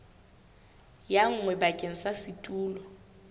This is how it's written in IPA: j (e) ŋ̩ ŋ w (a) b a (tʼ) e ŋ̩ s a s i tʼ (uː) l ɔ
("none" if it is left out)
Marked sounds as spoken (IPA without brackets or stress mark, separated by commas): a, ɛ, kʼ, uː